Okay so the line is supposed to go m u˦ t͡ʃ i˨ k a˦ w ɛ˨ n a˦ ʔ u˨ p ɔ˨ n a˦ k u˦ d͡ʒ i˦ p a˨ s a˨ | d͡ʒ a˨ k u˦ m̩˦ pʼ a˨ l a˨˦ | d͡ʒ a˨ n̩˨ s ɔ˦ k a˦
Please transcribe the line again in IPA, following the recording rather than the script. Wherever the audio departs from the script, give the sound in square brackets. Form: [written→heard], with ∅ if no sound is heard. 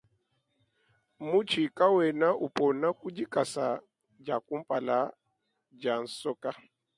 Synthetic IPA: m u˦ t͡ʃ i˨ k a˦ w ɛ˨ n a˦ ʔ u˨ p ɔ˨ n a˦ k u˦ d͡ʒ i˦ [p→k] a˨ s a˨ | d͡ʒ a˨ k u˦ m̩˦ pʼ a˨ l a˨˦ | d͡ʒ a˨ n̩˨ s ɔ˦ k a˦

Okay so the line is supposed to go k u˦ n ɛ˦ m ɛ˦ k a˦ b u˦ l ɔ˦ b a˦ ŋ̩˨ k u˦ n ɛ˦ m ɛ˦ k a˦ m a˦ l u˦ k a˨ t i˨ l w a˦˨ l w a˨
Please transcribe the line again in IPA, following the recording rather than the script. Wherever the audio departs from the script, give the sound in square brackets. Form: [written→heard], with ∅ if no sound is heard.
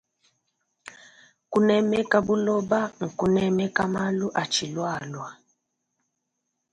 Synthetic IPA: k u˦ n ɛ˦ m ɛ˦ k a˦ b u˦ l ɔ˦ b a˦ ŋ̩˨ k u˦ n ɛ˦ m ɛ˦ k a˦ m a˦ l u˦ [k→ʔ] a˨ [t→t͡ʃ] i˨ l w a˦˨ l w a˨

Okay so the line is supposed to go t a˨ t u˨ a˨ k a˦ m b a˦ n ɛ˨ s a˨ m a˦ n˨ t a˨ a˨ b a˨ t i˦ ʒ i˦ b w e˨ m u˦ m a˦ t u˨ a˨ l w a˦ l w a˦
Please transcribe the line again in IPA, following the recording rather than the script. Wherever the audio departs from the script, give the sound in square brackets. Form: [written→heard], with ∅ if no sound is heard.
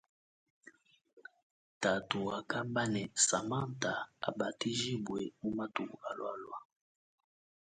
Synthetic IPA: t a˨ t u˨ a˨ k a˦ m b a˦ n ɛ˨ s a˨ m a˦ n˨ t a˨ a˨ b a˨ t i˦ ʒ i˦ b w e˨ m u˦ m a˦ t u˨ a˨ l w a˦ l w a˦

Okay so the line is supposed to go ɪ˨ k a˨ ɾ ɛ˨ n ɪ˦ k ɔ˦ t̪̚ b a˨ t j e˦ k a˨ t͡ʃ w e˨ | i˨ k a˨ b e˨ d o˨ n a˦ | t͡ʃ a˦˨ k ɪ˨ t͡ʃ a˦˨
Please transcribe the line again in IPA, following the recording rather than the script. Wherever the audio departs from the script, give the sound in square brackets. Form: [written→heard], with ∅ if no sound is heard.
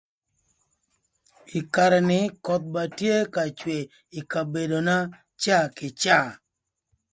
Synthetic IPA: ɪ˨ k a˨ ɾ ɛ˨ n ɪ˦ k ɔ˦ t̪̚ b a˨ t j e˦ k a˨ t͡ʃ w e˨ | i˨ k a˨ b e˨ d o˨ n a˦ | t͡ʃ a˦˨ k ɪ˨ t͡ʃ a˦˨

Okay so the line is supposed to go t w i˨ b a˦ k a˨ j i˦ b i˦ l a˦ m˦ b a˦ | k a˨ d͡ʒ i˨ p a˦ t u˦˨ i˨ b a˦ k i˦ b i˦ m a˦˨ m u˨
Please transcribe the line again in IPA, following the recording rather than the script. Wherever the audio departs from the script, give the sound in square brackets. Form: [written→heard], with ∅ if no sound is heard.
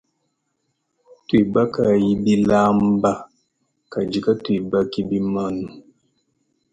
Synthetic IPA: t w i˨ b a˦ k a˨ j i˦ b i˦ l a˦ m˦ b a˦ | k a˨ d͡ʒ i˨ [p→k] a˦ t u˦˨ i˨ b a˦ k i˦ b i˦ m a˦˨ [m→n] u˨

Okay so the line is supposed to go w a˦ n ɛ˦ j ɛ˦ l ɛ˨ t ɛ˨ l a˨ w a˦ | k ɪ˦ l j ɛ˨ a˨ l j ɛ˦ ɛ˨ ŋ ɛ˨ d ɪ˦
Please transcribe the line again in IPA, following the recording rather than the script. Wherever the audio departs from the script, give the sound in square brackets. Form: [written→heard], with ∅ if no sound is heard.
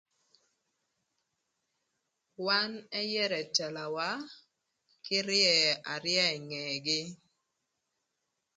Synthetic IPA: w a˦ n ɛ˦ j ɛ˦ [l→ɾ] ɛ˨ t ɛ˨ l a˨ w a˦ | k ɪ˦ [l→ɾ] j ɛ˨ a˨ [l→ɾ] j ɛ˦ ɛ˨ ŋ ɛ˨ [d→ɡ] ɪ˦

